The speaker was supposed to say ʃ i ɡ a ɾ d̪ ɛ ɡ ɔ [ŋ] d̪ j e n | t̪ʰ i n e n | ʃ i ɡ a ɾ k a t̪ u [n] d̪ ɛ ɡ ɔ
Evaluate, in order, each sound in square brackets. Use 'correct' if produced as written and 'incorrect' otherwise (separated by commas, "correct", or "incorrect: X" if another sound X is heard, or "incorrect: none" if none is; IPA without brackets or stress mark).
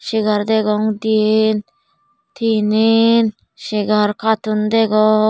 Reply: correct, correct